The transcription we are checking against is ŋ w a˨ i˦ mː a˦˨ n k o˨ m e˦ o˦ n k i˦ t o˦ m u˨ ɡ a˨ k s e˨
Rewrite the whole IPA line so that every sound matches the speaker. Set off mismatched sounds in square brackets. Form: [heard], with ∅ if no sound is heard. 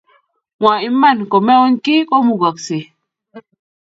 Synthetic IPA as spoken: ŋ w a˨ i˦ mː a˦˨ n k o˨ m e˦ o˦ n k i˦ [k] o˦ m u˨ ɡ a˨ k s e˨